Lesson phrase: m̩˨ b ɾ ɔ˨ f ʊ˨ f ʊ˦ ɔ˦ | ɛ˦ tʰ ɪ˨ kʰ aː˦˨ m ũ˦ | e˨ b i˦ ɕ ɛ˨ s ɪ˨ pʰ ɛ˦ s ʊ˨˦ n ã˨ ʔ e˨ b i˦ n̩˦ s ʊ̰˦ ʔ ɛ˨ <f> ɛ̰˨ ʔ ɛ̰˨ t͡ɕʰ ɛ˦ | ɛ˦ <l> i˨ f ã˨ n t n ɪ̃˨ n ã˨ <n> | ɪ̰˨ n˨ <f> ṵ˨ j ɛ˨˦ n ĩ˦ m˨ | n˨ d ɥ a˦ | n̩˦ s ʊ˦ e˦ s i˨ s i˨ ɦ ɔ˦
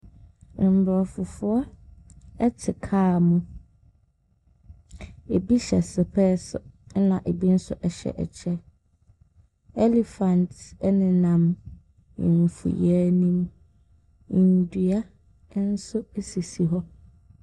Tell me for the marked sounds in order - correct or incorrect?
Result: incorrect: ɕ, correct, incorrect: m, correct

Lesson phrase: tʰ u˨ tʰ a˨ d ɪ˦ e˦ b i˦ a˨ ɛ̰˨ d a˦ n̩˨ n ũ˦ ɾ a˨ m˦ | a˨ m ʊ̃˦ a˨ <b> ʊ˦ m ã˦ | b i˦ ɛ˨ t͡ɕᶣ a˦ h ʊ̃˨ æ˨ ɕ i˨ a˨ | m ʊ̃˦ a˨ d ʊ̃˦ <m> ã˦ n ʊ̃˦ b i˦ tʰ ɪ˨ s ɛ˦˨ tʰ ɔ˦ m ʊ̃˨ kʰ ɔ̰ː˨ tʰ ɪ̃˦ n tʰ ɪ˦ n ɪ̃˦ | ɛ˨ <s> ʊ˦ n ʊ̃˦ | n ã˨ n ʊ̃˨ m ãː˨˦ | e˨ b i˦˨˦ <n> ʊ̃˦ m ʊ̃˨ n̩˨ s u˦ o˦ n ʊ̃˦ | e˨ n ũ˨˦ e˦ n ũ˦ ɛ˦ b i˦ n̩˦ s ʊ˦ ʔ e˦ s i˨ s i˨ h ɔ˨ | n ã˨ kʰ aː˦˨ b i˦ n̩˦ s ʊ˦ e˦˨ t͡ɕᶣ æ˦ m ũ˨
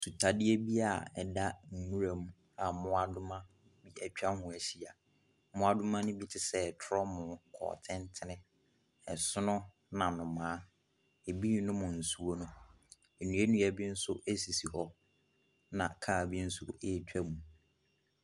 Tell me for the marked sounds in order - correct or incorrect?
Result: incorrect: d, correct, correct, correct

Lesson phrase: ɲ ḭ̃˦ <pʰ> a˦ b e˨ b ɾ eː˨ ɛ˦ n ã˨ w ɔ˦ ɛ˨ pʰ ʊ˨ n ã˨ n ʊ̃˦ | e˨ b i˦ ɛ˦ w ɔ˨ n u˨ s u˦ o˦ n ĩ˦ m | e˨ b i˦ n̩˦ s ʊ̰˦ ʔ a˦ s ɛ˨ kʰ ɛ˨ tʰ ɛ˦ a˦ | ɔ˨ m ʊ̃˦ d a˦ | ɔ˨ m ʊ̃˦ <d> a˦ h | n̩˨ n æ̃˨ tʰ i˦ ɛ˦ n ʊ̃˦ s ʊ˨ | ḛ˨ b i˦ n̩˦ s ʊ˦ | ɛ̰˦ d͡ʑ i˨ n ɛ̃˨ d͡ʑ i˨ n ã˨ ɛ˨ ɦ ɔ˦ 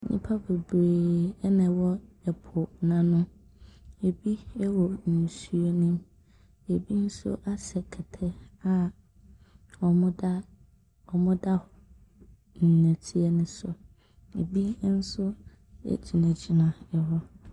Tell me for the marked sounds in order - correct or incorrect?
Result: correct, correct

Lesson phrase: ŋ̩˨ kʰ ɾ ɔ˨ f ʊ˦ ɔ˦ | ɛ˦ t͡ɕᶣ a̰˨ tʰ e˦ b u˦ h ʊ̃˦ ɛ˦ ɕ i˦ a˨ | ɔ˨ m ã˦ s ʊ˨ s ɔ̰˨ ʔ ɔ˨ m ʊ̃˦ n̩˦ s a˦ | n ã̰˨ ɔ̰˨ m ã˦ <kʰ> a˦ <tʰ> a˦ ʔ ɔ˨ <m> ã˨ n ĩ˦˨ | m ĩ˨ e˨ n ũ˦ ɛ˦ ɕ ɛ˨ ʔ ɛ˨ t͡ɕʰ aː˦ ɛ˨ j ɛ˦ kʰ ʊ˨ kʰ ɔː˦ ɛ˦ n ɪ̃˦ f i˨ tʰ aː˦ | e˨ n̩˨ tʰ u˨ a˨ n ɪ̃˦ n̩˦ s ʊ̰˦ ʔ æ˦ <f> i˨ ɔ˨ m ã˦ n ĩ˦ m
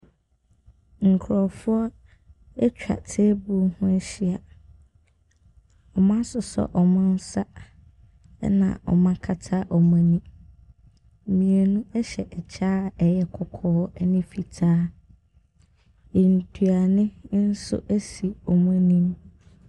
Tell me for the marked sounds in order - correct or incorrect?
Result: correct, correct, correct, incorrect: s

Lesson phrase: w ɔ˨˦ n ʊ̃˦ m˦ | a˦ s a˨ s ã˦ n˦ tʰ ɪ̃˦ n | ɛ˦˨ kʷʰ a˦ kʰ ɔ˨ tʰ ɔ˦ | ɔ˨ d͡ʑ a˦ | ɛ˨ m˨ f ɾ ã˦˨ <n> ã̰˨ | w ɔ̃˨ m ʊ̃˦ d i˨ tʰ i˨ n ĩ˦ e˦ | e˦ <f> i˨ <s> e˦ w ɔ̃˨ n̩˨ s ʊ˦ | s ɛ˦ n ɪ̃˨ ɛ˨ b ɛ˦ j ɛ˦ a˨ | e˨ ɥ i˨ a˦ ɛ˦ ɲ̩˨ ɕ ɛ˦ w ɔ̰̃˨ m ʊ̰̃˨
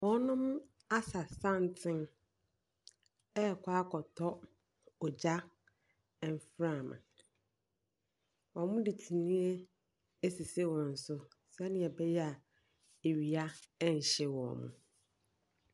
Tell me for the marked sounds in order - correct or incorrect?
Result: incorrect: m, incorrect: s, correct

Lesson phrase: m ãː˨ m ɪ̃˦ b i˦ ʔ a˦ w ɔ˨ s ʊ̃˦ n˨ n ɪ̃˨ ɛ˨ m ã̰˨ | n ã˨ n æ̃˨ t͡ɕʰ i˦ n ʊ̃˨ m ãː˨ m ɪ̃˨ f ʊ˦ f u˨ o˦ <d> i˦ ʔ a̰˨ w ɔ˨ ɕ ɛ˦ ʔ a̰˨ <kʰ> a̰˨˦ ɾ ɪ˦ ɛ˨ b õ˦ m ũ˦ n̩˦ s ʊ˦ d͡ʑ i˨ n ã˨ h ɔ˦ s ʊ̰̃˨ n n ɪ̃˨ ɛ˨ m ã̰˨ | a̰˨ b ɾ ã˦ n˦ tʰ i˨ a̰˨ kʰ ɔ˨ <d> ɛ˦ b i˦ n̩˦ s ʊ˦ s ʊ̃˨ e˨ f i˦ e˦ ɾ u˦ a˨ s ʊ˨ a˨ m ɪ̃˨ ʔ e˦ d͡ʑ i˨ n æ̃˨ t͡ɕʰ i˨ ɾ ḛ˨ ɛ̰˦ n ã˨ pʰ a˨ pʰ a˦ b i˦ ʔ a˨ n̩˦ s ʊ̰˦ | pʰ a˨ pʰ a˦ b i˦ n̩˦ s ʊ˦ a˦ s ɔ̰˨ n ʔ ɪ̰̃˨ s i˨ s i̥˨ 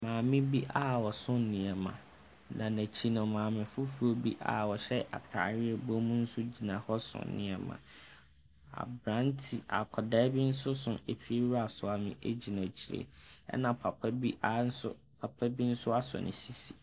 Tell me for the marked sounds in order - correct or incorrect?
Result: incorrect: b, incorrect: tʰ, correct

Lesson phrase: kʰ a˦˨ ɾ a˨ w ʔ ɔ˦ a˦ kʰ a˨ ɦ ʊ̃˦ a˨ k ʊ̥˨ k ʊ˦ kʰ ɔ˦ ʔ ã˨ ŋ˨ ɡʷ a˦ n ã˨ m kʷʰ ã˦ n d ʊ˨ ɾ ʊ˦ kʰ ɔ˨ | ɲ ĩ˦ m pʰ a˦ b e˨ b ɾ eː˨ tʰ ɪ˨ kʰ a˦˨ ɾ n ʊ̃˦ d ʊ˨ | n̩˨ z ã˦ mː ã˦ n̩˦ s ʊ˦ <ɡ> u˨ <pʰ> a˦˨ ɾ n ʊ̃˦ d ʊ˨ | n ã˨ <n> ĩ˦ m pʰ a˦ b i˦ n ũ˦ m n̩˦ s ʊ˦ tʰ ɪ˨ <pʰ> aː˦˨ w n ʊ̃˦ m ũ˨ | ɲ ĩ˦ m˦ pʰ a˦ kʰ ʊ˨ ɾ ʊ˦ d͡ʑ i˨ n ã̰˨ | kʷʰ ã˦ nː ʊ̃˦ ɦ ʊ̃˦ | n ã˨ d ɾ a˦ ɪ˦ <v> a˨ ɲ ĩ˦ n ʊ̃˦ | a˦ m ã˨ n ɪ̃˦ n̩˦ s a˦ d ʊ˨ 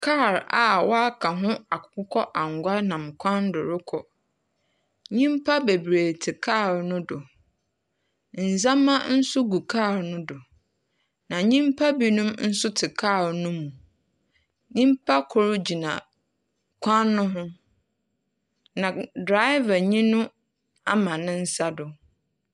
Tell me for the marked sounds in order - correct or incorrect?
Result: correct, incorrect: kʰ, incorrect: ɲ, incorrect: kʰ, correct

